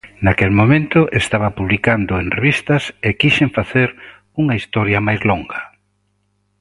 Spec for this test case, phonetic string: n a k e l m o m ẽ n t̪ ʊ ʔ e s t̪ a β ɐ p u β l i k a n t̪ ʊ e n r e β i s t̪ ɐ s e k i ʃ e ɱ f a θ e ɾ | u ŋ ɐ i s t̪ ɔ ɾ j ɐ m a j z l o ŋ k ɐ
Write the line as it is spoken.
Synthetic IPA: n a k e l m o m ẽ n t̪ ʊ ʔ e s t̪ a β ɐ p u β l i k a n d̪ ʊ e n r e β i s t̪ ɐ s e k i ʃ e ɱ f a θ e ɾ | u ŋ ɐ i s t̪ ɔ ɾ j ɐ m a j z l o ŋ ɡ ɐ